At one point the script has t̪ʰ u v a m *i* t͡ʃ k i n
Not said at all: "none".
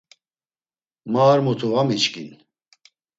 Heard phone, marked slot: i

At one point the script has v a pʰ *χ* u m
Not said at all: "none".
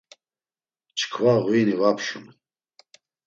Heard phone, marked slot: ʃ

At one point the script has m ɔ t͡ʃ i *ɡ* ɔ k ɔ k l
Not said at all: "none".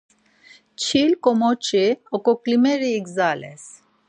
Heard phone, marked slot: none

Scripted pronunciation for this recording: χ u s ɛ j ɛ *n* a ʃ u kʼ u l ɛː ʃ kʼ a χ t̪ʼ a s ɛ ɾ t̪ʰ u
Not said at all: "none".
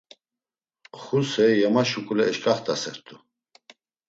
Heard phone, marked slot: m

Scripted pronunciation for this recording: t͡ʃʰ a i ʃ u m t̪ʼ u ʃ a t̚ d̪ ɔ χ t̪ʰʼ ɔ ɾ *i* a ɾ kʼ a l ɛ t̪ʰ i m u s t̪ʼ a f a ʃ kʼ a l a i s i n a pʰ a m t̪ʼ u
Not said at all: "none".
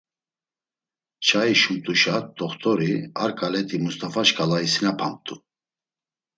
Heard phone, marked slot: i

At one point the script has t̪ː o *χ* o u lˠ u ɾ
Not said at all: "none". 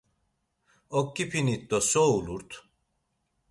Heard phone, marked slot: s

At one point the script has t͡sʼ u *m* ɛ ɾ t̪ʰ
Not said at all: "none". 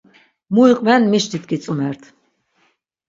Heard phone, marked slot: m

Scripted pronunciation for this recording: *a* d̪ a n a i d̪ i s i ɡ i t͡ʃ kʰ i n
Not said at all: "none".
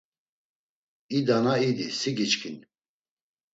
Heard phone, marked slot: i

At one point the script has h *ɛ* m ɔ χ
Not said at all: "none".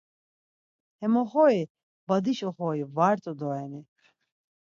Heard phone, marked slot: ɛ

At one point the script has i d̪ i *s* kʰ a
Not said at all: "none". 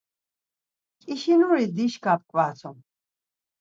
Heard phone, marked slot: ʃ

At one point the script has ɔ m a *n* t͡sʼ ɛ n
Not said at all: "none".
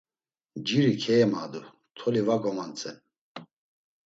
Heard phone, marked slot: n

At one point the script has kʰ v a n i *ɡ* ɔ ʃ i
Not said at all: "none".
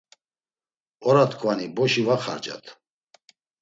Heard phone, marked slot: b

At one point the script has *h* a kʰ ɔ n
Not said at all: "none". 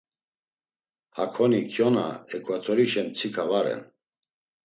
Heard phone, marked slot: h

